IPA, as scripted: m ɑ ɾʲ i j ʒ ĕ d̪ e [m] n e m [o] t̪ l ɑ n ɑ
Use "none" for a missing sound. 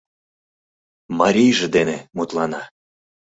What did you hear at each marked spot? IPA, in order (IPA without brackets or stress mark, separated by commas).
none, u